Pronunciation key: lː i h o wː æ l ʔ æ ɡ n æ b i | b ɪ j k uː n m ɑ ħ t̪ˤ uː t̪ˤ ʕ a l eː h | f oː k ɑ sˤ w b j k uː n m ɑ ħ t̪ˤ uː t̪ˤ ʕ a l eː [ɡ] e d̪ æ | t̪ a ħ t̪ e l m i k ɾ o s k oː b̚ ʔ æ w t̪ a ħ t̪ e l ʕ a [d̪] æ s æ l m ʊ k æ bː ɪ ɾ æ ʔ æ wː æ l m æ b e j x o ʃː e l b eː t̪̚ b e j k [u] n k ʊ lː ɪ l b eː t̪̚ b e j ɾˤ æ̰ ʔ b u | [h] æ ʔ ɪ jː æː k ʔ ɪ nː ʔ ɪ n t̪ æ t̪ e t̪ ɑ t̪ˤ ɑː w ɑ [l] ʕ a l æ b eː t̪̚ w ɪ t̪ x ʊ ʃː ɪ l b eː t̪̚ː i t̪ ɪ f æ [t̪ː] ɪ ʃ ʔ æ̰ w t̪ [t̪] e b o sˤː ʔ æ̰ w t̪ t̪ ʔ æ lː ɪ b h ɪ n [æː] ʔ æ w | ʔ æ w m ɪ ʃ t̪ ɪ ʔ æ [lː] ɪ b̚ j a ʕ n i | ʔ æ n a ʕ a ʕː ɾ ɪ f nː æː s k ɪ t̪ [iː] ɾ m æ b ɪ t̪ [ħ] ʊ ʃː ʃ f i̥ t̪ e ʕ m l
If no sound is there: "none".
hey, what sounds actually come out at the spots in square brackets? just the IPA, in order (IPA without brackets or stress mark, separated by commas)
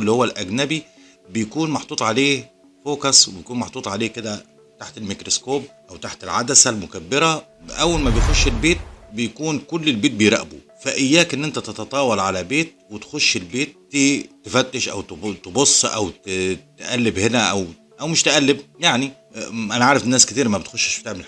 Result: k, d̪, uː, f, l, t̪ː, t̪, æ, lː, iː, x